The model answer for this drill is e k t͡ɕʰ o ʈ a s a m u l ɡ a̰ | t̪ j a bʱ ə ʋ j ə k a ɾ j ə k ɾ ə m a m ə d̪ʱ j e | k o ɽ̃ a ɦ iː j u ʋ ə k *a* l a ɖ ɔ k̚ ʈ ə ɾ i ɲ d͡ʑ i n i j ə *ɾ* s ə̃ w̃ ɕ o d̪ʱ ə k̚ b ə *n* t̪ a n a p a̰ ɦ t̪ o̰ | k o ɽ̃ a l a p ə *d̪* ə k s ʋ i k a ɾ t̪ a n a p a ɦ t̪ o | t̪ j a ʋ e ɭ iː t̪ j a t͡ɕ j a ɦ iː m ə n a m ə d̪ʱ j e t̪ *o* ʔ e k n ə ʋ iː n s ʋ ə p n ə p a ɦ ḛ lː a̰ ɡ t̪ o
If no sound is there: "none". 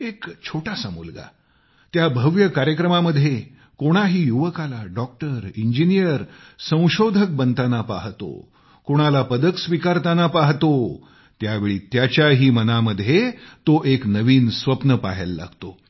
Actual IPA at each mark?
a, ɾ, n, d̪, o

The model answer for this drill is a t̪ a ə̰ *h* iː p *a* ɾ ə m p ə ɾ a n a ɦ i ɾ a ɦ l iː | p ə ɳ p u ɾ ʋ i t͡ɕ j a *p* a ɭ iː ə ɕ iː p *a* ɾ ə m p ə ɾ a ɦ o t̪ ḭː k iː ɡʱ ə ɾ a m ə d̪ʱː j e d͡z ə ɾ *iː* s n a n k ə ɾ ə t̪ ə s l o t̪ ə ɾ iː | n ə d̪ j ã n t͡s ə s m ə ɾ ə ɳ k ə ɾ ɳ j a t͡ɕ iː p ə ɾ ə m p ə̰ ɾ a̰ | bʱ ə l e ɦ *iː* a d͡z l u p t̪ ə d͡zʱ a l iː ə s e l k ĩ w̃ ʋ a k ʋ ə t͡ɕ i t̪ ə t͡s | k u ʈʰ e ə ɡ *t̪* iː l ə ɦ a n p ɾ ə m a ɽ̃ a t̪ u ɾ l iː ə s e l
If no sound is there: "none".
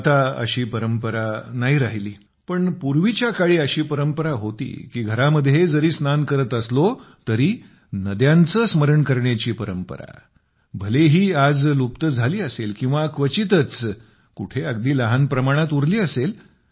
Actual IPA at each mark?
ɕ, ə, k, ə, iː, iː, d̪

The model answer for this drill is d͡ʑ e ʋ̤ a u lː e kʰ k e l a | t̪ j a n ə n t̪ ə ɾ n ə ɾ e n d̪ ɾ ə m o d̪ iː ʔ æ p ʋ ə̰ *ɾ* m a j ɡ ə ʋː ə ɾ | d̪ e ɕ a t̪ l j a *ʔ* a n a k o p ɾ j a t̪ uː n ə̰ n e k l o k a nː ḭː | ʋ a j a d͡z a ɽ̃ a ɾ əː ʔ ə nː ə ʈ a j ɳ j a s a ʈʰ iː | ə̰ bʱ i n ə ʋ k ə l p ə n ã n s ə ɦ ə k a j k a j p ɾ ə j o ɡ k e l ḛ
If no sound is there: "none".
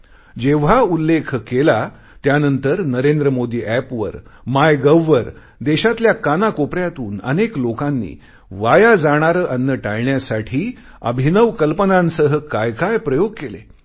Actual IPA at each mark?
ɾ, k

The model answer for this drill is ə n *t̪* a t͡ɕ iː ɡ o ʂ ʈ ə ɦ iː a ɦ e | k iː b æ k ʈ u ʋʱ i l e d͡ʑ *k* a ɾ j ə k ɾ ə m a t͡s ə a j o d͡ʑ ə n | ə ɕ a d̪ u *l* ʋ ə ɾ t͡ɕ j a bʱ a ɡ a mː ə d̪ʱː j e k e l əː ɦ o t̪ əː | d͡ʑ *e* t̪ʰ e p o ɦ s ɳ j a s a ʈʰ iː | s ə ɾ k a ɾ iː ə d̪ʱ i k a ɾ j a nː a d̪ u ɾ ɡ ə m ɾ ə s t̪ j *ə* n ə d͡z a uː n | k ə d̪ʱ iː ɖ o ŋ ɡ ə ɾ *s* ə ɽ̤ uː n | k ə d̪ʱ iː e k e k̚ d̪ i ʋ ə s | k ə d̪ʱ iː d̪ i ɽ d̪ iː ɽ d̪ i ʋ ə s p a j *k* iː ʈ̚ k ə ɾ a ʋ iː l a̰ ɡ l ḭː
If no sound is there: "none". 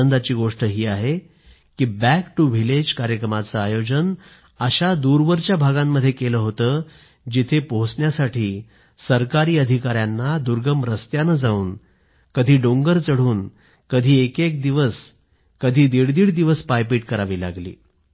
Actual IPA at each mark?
d̪, k, ɾ, i, a, t͡s, p

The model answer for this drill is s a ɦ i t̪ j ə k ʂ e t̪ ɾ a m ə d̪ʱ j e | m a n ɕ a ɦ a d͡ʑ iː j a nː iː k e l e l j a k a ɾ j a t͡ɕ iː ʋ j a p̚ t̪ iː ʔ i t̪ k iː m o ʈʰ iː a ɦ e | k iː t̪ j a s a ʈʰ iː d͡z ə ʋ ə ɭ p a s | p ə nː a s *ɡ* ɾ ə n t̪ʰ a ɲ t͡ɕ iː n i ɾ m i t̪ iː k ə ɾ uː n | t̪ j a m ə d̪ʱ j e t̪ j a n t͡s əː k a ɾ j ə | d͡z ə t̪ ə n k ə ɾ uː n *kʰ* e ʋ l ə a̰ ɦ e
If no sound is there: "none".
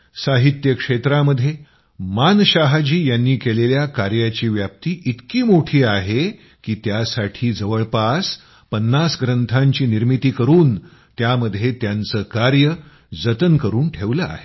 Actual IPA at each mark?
ɡ, ʈʰ

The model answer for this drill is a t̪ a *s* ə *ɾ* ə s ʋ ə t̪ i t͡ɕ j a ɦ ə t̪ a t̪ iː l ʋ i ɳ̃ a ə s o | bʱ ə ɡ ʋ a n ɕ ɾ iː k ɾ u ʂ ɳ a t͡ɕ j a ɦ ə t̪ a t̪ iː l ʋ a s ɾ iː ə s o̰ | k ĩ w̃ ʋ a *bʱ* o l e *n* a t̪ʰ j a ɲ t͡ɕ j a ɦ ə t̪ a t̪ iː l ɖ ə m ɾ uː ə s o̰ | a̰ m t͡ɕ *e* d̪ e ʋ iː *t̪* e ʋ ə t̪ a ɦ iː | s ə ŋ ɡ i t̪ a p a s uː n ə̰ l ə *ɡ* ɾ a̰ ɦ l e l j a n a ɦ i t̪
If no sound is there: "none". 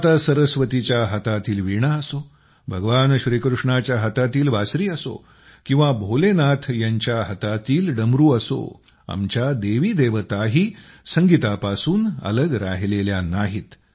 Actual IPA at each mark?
s, ɾ, bʱ, n, a, d̪, ɡ

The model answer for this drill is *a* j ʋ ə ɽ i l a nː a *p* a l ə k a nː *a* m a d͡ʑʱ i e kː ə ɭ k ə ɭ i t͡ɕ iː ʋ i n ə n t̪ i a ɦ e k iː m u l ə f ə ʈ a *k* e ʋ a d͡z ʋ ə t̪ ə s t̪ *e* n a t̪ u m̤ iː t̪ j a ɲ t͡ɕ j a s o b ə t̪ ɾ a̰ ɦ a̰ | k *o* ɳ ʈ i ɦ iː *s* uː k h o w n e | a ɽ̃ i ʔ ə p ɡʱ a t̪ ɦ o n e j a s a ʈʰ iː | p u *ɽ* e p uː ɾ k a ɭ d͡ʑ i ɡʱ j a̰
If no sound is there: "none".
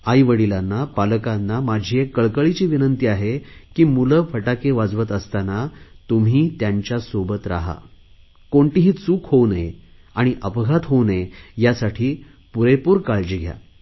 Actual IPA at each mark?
a, p, a, k, a, o, t͡s, ɾ

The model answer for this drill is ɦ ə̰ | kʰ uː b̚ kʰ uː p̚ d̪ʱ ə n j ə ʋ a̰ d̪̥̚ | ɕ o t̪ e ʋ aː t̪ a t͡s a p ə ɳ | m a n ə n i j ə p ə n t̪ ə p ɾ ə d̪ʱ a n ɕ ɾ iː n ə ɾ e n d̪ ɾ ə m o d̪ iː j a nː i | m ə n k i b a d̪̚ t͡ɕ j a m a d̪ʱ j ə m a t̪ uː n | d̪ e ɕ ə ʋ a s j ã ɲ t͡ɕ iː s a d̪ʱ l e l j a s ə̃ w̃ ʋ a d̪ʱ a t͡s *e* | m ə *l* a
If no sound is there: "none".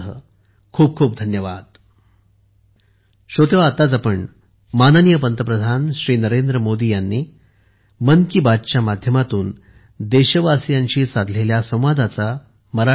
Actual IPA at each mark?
a, ɾ

